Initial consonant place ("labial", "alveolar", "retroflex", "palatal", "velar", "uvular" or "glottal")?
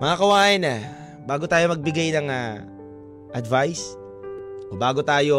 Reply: labial